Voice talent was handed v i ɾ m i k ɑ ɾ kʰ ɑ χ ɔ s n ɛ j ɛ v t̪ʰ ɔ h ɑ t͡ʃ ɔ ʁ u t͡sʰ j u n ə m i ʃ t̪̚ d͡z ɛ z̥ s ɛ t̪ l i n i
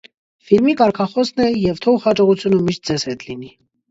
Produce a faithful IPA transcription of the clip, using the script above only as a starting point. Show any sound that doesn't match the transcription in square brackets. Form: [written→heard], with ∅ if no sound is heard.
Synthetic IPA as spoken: [v→f] i ɾ m i k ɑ ɾ kʰ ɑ χ ɔ s n ɛ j ɛ v t̪ʰ ɔ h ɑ t͡ʃ ɔ ʁ u t͡sʰ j u n ə m i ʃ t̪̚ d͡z ɛ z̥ [s→h] ɛ t̪ l i n i